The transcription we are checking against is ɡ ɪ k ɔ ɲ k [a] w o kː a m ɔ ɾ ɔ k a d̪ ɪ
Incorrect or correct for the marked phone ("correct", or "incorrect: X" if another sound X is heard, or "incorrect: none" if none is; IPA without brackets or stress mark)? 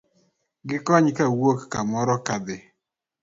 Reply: correct